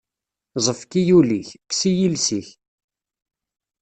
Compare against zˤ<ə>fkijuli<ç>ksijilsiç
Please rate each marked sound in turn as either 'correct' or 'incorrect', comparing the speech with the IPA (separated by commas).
correct, correct